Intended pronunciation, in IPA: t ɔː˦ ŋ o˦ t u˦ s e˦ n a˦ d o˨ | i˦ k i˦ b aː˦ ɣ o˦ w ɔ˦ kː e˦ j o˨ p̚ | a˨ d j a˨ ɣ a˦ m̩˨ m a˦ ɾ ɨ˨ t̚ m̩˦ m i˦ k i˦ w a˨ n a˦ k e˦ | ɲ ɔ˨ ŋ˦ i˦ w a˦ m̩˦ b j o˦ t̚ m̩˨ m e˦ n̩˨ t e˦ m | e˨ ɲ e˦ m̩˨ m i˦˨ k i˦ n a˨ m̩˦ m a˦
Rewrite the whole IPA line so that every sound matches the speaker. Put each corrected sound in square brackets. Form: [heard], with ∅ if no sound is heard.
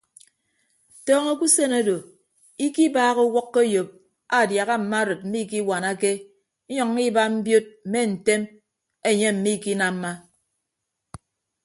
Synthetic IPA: t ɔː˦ ŋ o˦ [k] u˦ s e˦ n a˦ d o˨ | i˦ k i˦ b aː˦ ɣ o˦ w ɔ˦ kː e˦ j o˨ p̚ | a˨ d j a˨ ɣ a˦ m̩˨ m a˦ ɾ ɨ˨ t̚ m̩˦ m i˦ k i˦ w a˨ n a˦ k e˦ | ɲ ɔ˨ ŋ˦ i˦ [b] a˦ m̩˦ b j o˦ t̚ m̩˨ m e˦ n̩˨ t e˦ m | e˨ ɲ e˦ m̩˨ m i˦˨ k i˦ n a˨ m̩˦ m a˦

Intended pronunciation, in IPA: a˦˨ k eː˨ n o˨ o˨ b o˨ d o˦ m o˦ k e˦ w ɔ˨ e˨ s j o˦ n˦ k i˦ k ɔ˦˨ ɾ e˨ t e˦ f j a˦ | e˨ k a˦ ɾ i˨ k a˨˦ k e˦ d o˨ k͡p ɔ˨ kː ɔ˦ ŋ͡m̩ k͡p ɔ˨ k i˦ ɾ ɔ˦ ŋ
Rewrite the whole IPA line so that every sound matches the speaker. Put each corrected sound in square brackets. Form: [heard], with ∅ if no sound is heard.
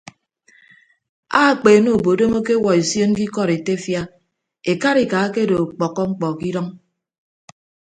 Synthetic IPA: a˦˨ [k͡p] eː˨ n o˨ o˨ b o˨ d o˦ m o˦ k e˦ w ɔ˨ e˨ s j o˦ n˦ k i˦ k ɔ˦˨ ɾ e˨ t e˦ f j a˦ | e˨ k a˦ ɾ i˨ k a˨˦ k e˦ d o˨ k͡p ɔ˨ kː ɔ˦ ŋ͡m̩ k͡p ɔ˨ k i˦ ɾ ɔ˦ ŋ

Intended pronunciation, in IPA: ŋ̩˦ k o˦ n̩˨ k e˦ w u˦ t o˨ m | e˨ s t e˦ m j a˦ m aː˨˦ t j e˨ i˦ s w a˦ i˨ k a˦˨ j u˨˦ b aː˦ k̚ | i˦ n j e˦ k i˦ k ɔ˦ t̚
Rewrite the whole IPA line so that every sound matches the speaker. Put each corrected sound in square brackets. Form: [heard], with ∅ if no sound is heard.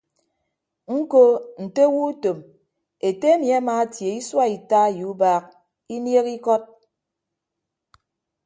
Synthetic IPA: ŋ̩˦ k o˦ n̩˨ [t] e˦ w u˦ t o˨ m | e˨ [∅] t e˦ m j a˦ m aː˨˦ t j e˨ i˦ s w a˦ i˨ [t] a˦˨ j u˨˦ b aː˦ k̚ | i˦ n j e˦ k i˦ k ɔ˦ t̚

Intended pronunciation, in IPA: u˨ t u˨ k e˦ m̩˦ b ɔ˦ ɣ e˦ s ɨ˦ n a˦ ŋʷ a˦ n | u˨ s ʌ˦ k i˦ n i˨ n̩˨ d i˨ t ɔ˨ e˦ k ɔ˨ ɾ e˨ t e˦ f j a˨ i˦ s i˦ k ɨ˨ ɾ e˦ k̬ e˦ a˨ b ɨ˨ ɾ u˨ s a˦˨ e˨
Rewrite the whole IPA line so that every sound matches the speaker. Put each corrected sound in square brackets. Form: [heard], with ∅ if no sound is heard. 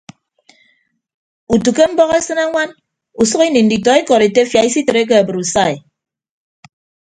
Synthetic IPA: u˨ t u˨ k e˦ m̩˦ b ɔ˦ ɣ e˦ s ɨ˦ n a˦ ŋʷ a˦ n | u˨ s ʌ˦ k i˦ n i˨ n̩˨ d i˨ t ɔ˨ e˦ k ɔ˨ ɾ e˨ t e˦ f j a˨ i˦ s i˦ [t] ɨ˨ ɾ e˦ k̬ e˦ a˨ b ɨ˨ ɾ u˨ s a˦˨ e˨

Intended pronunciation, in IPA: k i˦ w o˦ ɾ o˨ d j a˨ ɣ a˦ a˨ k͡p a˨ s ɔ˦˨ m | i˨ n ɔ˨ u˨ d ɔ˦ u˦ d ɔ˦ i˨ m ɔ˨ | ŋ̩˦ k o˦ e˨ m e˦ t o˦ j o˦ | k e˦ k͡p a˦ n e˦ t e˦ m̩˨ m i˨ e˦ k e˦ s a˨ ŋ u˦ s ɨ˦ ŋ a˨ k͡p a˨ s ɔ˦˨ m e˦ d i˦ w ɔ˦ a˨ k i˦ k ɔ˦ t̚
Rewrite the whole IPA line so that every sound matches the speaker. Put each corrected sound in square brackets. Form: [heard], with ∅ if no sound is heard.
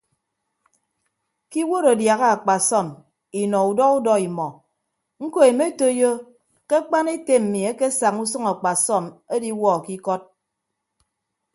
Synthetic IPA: k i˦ w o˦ ɾ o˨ d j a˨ ɣ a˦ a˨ k͡p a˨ s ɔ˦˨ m | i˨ n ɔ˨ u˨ d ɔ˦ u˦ d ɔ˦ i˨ m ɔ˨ | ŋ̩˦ k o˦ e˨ m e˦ t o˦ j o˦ | k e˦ k͡p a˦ n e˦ t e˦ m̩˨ m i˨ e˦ k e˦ s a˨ ŋ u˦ s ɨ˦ ŋ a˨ k͡p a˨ s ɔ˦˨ m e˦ d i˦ w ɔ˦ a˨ k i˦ k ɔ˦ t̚

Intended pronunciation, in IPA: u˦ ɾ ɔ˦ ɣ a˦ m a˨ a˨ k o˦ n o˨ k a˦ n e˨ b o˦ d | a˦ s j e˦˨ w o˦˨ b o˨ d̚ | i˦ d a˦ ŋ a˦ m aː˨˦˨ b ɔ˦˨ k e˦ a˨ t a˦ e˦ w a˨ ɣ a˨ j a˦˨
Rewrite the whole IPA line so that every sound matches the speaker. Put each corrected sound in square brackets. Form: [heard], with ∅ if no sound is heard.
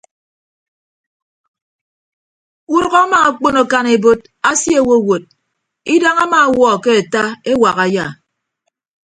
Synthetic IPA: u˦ ɾ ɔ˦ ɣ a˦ m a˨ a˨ [k͡p] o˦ n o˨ k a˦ n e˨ b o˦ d | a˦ s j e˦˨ w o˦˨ [w] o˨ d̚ | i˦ d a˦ ŋ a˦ m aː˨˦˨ [w] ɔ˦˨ k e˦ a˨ t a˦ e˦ w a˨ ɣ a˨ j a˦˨

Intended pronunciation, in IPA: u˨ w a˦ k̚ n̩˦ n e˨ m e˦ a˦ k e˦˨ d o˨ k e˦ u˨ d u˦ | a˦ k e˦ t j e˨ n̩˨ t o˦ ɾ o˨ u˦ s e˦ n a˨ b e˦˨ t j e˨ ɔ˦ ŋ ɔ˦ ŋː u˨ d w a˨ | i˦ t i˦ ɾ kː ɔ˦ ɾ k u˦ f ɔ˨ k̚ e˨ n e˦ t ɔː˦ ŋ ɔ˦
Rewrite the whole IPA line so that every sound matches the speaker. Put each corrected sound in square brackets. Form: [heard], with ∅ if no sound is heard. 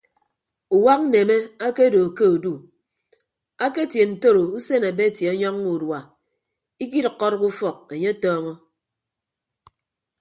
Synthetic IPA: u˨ w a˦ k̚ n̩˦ n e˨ m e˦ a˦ k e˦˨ d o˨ k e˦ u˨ d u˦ | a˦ k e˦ t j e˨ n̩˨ t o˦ ɾ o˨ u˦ s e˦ n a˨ b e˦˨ t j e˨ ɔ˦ [ɲ] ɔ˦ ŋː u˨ d w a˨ | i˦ [k] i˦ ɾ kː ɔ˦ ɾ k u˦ f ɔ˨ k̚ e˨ [ɲ] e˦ t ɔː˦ ŋ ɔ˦

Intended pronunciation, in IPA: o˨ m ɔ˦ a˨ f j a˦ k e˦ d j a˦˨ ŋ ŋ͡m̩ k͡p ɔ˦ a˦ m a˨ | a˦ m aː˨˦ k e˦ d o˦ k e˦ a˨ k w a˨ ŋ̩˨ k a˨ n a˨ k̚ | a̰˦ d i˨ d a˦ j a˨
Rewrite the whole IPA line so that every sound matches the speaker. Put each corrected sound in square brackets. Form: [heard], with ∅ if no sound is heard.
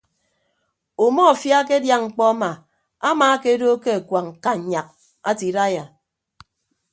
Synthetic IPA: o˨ m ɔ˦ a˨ f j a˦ k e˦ d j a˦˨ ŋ ŋ͡m̩ k͡p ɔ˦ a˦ m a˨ | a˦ m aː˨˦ k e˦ d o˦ k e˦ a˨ k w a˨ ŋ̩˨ k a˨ [ɲ] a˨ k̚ | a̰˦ [t] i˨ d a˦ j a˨

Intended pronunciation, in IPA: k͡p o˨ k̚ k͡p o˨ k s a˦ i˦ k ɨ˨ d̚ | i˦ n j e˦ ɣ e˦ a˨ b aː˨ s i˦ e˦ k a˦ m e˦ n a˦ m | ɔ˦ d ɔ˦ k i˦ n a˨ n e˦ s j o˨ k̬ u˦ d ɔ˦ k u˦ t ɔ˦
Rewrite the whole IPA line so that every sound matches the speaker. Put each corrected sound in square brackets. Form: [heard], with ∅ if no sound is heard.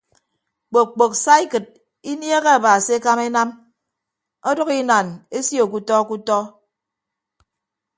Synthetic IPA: k͡p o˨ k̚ k͡p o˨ k s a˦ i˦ k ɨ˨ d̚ | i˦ n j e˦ ɣ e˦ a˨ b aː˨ s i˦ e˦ k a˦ m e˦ n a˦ m | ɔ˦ d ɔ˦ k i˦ n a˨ n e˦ s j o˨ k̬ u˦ [t] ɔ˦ k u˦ t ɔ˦

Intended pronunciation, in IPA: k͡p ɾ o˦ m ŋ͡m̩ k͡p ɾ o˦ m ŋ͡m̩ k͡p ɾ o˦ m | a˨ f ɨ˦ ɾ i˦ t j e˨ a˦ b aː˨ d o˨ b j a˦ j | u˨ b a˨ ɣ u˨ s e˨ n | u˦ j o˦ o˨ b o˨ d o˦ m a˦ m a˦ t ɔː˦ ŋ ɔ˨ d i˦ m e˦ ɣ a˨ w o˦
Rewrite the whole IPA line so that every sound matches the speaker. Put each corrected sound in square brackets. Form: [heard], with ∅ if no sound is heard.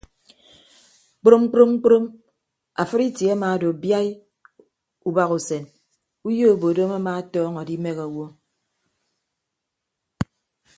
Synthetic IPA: k͡p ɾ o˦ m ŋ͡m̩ k͡p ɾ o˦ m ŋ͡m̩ k͡p ɾ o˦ m | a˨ f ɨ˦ ɾ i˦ t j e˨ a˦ [m] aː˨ d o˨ b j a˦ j | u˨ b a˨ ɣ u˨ s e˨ n | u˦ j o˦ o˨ b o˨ d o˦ m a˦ m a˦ t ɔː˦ ŋ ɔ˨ d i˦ m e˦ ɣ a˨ w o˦

